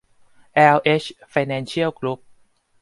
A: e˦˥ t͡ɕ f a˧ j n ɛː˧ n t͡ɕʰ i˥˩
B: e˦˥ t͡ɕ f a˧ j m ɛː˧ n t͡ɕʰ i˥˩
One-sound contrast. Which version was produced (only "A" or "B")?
A